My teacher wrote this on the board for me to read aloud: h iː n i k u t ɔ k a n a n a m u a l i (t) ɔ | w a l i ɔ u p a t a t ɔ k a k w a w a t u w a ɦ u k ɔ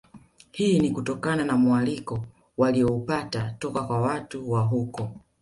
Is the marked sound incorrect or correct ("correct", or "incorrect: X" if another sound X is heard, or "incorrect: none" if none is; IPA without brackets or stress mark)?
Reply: incorrect: k